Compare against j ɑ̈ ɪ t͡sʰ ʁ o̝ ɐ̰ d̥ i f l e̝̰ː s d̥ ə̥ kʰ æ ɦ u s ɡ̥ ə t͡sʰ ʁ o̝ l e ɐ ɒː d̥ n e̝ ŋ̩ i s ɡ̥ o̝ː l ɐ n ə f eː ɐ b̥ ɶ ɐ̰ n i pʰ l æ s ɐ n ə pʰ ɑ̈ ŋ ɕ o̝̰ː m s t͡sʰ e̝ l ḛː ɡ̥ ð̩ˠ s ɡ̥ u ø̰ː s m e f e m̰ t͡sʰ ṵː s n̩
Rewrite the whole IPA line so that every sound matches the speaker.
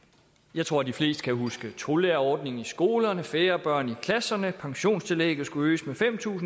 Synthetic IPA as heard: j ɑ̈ ɪ t͡sʰ ʁ o̝ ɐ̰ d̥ i f l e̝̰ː s d̥ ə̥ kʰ æ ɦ u s ɡ̥ ə t͡sʰ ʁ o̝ l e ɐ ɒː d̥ n e̝ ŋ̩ i s ɡ̥ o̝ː l ɐ n ə f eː ɐ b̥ ɶ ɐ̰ n i kʰ l æ s ɐ n ə pʰ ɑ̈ ŋ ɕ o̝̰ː n s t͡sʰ e̝ l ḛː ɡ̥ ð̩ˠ s ɡ̥ u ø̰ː s m e f e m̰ t͡sʰ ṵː s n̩